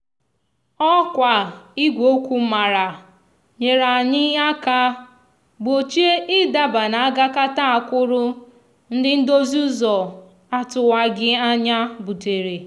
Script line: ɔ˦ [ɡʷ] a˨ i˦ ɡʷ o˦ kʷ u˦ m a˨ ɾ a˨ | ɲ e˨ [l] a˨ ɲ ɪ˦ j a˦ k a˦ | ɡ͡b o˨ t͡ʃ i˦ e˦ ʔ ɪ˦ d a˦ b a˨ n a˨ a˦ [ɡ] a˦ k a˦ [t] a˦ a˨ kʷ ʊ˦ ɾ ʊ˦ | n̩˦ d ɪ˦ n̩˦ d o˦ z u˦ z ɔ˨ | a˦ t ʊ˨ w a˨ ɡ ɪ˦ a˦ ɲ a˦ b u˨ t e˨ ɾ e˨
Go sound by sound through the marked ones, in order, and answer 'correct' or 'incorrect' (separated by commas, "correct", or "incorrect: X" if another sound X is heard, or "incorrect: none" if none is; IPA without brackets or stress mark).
incorrect: kʷ, incorrect: ɾ, correct, correct